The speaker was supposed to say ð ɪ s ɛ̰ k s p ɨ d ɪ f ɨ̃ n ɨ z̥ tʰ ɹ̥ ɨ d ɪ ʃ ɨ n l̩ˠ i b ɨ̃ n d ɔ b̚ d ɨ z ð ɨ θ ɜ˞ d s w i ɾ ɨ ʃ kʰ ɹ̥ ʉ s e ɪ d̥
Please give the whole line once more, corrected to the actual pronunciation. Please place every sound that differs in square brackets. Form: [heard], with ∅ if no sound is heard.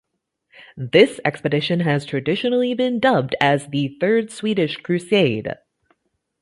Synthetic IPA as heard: ð ɪ s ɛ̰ k s p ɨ d ɪ [ʃ] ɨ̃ n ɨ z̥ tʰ ɹ̥ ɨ d ɪ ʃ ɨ n l̩ˠ i b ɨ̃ n d [ʌ] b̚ d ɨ z ð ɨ θ ɜ˞ d s w i ɾ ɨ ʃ kʰ ɹ̥ ʉ s e ɪ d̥